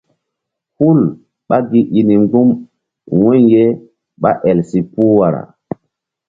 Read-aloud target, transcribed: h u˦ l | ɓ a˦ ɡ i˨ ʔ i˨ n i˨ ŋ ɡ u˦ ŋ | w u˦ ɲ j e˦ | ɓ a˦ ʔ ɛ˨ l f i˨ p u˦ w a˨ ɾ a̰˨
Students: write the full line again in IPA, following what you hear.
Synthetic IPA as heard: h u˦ l | ɓ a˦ ɡ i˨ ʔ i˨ n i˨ ŋ ɡ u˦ m | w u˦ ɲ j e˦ | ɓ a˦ ʔ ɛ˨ l s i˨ p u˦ w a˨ ɾ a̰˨

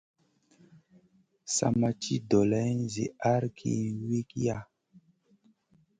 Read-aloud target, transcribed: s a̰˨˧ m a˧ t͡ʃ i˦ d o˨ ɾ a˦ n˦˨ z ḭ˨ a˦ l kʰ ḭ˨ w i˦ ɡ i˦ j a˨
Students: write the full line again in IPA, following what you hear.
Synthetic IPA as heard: s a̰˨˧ m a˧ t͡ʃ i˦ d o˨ l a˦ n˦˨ z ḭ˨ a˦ ɾ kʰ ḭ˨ w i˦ k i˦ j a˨

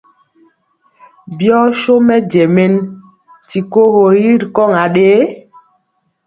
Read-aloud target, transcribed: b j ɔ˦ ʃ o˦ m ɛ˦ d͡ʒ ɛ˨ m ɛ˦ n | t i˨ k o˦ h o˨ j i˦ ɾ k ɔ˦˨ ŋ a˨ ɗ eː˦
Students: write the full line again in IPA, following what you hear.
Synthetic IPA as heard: b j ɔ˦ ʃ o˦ m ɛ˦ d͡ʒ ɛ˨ m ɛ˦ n | t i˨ k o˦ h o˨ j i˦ ɾ k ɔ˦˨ ŋ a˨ ɗ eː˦

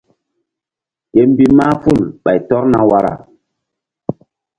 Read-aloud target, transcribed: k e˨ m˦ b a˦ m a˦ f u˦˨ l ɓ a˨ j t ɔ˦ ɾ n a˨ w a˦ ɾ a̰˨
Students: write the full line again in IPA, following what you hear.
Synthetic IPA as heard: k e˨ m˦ b i˦ m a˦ f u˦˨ l ɓ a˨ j t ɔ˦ ɾ n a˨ w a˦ ɾ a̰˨

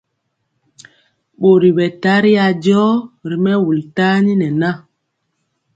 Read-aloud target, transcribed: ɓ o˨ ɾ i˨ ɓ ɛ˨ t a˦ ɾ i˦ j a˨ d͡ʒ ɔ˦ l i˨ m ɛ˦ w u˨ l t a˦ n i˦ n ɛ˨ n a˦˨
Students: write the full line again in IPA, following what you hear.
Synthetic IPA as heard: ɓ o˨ ɾ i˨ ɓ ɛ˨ t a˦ ɾ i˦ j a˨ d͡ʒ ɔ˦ ɾ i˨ m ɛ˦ w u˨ l t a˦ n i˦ n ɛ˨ n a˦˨

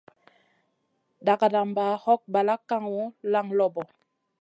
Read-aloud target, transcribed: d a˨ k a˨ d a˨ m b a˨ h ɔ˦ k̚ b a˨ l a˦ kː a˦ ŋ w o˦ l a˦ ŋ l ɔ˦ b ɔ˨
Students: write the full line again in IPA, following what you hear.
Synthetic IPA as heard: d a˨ k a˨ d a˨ m b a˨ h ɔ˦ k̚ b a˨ l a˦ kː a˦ ŋ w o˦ l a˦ ŋ l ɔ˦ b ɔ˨

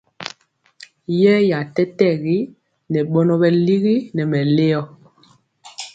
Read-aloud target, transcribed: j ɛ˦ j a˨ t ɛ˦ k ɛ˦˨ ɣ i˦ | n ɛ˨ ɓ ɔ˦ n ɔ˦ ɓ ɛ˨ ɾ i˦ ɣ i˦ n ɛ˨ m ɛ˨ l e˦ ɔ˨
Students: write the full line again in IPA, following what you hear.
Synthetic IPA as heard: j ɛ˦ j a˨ t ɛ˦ t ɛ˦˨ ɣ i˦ | n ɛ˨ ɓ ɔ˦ n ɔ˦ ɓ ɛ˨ l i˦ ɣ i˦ n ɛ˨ m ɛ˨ l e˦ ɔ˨

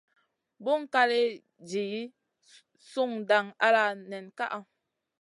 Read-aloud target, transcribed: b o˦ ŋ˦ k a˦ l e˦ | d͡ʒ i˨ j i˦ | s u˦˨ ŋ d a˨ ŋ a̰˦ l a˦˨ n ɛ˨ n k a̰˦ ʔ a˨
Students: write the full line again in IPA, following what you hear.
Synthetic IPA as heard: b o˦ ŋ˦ k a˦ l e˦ | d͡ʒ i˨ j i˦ | s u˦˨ ŋ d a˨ ŋ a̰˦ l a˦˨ n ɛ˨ n k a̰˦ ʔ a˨

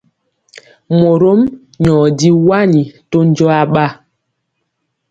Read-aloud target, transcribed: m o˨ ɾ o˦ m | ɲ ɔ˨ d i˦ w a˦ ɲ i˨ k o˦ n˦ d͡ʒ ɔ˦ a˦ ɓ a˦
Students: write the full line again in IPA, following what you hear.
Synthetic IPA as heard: m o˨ ɾ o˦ m | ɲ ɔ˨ d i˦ w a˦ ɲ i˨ t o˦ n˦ d͡ʒ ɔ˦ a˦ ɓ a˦

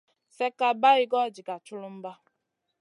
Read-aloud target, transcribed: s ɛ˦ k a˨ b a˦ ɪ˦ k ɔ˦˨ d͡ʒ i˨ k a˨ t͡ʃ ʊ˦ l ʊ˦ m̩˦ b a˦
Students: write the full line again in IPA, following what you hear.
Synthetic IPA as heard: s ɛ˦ k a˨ b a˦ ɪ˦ ɡ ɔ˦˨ d͡ʒ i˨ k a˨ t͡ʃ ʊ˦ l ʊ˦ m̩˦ b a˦

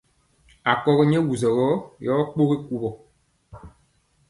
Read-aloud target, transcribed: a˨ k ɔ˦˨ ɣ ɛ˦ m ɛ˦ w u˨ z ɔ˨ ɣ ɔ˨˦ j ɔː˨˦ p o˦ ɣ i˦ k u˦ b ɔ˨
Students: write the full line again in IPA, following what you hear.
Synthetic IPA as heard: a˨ k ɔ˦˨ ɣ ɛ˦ ɲ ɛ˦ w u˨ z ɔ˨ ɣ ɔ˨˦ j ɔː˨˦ k͡p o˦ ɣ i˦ k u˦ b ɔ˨

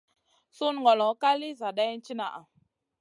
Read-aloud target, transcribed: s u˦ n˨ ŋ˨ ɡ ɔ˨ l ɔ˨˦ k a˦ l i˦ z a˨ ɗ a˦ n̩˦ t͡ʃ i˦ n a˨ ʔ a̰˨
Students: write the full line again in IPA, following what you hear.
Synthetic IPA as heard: s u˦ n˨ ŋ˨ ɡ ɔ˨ l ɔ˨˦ k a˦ l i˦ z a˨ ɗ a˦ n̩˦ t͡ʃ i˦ n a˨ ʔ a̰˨

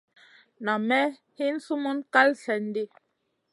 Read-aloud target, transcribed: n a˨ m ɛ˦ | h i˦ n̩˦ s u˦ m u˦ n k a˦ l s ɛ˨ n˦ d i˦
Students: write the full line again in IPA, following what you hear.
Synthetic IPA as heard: n a˨ m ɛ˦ | h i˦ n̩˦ s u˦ m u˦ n k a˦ l s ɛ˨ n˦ d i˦

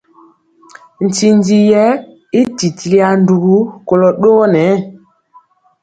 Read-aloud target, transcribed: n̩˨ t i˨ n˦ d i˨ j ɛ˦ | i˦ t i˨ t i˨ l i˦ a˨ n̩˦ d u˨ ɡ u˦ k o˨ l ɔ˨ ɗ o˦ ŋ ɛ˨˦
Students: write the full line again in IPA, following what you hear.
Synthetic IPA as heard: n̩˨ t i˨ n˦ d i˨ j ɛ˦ | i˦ t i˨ t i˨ l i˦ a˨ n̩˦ d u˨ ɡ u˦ k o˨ l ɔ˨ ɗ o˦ n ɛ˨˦

